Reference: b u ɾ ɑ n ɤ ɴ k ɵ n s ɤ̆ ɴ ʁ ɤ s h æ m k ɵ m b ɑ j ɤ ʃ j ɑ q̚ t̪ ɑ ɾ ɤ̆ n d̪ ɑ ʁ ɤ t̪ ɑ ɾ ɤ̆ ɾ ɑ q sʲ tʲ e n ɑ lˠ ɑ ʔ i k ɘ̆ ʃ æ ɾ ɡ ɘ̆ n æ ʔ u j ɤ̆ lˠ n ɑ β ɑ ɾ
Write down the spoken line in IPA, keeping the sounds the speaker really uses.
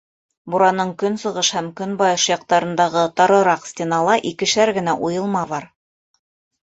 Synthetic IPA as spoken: b u ɾ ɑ n ɤ ɴ k ɵ n s ɤ̆ ʁ ɤ ʃ h æ m k ɵ n b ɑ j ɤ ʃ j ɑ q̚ t̪ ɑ ɾ ɤ̆ n d̪ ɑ ʁ ɤ t̪ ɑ ɾ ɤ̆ ɾ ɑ q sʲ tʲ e n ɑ lˠ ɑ ʔ i k ɘ̆ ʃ æ ɾ ɡ ɘ̆ n æ ʔ u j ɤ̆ lˠ m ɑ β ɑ ɾ